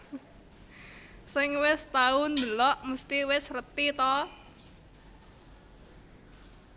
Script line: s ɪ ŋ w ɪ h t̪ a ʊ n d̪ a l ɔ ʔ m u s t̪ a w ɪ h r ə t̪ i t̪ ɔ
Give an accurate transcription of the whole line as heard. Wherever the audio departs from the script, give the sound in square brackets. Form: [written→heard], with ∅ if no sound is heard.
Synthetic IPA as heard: s ɪ ŋ w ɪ [h→s] t̪ a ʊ n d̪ [a→ə] l ɔ ʔ m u s t̪ [a→i] w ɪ [h→s] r ə t̪ i t̪ ɔ